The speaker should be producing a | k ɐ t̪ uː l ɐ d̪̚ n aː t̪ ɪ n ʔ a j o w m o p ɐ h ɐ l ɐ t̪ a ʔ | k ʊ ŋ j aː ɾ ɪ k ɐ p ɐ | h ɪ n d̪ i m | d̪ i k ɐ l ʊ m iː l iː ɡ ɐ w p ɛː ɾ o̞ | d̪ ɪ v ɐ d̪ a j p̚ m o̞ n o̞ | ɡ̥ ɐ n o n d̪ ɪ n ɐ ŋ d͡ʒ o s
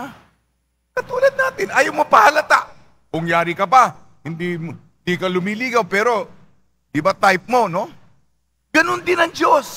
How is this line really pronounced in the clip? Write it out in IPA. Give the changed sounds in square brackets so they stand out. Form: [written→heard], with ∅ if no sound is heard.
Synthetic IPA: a | k ɐ t̪ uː l ɐ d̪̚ n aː t̪ ɪ n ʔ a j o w m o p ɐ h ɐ l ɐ t̪ a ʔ | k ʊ ŋ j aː ɾ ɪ k ɐ p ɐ | h ɪ n d̪ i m | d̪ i k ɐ l ʊ m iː l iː ɡ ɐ w p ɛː ɾ o̞ | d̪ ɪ [v→b] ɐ [d̪→t̪] a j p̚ m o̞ n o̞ | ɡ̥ ɐ n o n d̪ ɪ n ɐ ŋ d͡ʒ o s

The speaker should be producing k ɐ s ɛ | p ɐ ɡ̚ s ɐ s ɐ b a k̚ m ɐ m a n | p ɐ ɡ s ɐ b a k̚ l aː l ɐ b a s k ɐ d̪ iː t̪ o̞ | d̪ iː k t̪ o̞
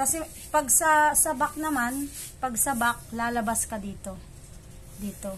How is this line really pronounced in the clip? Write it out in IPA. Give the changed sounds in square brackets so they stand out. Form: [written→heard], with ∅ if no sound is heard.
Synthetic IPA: k ɐ s ɛ | p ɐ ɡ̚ s ɐ s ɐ b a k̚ [m→n] ɐ m a n | p ɐ ɡ s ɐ b a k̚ l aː l ɐ b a s k ɐ d̪ iː t̪ o̞ | d̪ iː [k→∅] t̪ o̞

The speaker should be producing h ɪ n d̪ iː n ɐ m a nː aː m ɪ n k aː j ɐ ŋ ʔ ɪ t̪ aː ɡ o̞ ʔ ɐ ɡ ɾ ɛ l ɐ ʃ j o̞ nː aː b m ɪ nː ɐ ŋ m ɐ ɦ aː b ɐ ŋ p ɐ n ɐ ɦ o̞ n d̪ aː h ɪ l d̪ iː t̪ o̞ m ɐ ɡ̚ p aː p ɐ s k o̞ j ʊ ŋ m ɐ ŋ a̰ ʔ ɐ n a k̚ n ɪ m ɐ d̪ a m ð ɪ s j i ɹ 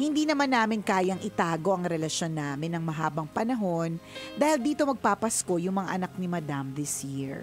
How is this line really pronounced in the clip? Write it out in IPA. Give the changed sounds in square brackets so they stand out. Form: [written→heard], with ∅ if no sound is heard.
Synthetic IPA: h ɪ n d̪ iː n ɐ m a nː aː m ɪ n k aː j ɐ ŋ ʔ ɪ t̪ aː ɡ o̞ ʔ ɐ [ɡ→ŋ] ɾ ɛ l ɐ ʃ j o̞ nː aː [b→∅] m ɪ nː ɐ ŋ m ɐ ɦ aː b ɐ ŋ p ɐ n ɐ ɦ o̞ n d̪ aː h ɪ l d̪ iː t̪ o̞ m ɐ ɡ̚ p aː p ɐ s k o̞ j ʊ ŋ m ɐ ŋ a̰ ʔ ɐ n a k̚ n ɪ m ɐ d̪ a m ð ɪ s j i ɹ

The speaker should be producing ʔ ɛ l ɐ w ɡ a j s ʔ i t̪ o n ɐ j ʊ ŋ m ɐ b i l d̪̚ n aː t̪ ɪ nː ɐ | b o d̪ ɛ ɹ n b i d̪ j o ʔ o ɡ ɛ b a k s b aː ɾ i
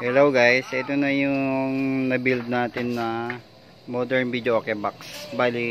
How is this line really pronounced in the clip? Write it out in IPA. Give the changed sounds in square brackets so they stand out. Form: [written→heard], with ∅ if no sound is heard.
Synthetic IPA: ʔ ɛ l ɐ w ɡ a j s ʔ [i→ɛ] t̪ o n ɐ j ʊ ŋ [m→n] ɐ b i l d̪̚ n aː t̪ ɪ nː ɐ | [b→m] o d̪ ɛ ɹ n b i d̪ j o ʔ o [ɡ→k] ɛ b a k s b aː [ɾ→l] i

